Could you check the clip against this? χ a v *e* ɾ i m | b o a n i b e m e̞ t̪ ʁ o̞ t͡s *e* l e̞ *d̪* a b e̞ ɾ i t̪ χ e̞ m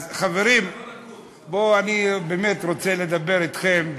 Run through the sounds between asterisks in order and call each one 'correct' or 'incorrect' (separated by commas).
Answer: correct, correct, correct